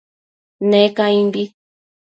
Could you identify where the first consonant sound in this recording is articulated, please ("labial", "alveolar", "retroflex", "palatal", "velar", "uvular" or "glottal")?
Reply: alveolar